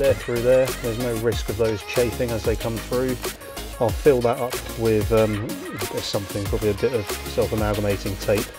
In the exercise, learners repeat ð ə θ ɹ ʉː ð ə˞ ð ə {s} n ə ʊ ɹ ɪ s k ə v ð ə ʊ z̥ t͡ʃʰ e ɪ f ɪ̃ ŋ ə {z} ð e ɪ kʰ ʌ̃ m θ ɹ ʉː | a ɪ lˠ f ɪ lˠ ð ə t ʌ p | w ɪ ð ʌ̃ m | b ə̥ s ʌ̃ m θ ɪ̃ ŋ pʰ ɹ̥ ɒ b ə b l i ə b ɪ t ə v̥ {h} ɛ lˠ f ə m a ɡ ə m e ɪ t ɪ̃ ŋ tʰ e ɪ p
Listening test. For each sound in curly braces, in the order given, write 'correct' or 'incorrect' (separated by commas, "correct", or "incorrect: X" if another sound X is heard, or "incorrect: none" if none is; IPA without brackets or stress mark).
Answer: incorrect: z, correct, incorrect: s